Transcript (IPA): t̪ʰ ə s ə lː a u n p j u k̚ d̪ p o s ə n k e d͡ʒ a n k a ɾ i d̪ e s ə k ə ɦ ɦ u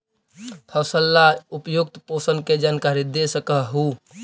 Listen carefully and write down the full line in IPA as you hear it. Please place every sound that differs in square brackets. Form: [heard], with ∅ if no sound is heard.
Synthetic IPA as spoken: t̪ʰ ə s ə lː a u [∅] p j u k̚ [t̪] p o s ə n k e d͡ʒ a n k a ɾ i d̪ e s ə k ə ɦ ɦ u